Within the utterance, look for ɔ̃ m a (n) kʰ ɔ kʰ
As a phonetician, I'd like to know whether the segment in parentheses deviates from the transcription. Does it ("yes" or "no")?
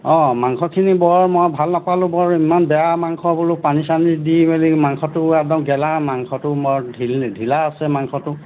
yes